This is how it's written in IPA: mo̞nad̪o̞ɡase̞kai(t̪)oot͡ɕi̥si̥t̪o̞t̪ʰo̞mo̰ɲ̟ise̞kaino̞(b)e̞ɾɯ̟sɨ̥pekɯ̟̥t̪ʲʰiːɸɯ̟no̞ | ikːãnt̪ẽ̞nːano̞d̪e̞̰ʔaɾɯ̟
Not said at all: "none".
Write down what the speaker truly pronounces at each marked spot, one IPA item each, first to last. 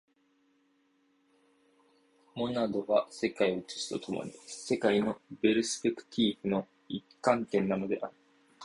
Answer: none, b

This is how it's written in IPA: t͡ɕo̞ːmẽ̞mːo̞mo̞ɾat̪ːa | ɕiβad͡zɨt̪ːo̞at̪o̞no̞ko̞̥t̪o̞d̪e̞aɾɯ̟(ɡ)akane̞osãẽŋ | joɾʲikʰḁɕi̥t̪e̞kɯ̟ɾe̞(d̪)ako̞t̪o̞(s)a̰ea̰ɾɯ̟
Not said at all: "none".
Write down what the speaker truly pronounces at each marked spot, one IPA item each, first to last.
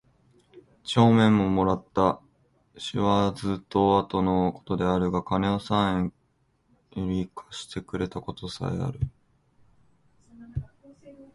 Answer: ɡ, t̪, s

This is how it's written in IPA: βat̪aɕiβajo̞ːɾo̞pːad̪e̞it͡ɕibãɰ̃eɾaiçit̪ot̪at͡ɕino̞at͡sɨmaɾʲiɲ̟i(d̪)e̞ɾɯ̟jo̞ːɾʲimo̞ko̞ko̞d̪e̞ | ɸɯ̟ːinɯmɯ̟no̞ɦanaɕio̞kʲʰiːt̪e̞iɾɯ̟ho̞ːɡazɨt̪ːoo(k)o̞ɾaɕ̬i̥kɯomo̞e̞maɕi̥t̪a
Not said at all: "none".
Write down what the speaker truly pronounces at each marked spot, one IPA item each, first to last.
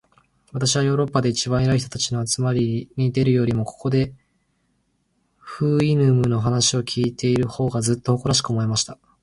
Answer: d̪, k

